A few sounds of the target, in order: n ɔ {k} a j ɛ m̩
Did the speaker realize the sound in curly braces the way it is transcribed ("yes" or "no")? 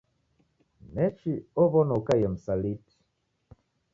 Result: yes